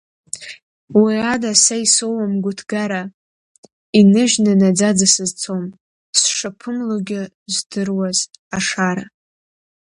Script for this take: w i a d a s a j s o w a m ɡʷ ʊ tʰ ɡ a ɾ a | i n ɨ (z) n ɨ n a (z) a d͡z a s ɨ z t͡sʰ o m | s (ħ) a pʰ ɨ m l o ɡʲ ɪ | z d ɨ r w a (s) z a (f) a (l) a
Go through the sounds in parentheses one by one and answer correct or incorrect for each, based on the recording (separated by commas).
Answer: incorrect, incorrect, incorrect, incorrect, incorrect, incorrect